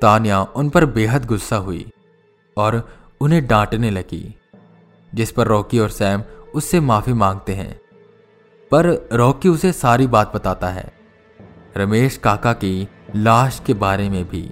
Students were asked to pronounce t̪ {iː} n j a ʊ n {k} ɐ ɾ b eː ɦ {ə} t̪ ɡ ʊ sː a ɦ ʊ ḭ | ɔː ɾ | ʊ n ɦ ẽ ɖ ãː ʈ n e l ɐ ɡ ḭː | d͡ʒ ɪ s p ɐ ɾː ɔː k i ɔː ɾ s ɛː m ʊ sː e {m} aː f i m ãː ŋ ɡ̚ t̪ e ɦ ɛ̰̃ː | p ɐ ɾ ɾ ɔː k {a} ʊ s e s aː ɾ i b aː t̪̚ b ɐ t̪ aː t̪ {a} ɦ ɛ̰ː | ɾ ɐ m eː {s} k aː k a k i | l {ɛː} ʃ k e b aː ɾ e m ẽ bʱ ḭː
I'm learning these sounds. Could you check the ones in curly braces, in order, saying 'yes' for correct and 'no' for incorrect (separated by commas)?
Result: no, no, yes, yes, no, yes, no, no